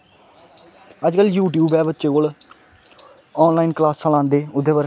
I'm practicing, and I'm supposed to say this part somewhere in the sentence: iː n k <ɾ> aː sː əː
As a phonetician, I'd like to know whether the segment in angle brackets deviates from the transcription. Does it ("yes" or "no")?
yes